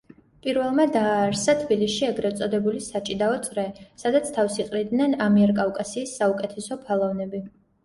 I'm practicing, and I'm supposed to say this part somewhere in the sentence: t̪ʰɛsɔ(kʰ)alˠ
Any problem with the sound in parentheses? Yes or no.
yes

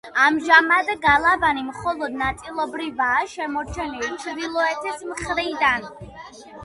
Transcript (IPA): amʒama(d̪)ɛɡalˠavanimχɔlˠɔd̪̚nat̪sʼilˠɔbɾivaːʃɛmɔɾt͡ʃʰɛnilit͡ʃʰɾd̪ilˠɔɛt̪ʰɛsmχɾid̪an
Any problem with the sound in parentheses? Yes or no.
no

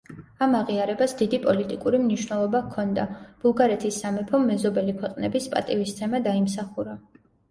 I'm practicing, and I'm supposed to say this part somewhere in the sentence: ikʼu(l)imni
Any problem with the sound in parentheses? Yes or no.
yes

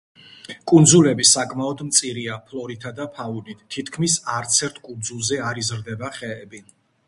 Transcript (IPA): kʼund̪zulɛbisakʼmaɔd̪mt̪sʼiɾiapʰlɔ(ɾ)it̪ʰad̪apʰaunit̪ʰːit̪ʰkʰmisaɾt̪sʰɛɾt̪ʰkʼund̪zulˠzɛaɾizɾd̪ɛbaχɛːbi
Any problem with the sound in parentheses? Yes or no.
no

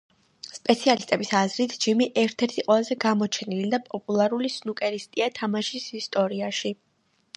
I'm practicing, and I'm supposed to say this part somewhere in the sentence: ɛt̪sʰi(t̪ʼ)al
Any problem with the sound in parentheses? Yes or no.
yes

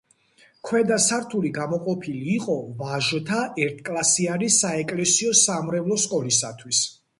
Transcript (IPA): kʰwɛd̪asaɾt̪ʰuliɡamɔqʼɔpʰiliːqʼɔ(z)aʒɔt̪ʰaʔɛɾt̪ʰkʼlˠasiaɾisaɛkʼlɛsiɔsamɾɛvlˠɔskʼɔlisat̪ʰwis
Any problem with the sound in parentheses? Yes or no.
yes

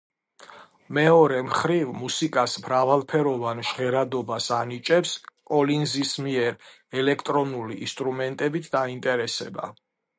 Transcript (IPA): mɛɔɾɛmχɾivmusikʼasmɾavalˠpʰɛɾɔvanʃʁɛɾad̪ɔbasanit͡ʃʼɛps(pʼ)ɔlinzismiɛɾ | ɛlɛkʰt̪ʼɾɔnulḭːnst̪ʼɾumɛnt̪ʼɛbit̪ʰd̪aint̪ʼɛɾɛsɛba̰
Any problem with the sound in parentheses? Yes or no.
yes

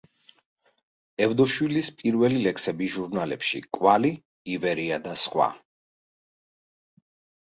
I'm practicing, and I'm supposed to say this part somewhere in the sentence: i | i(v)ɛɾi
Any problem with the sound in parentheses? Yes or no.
no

